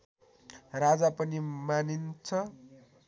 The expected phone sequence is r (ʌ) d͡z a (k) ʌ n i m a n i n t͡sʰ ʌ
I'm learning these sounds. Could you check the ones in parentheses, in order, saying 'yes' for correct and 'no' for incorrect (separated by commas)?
no, no